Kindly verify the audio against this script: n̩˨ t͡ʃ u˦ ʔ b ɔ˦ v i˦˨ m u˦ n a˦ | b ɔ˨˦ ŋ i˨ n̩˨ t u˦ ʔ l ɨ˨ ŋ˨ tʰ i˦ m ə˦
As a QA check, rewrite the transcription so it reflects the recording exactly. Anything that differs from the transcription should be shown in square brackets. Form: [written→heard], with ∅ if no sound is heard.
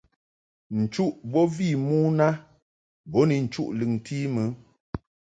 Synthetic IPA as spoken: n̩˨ t͡ʃ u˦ ʔ b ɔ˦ v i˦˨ m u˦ n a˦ | b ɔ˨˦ [ŋ→n] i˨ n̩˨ [t→t͡ʃ] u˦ ʔ l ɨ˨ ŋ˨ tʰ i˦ m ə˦